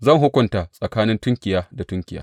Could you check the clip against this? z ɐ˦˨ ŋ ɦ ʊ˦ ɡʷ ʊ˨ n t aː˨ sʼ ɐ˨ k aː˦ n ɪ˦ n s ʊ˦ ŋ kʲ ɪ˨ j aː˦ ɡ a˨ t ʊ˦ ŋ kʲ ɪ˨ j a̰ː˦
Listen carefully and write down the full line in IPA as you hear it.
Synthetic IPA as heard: z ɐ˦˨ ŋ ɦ ʊ˦ kʷ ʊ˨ n t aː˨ sʼ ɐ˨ k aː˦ n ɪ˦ n t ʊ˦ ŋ kʲ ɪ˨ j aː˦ d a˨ t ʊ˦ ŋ kʲ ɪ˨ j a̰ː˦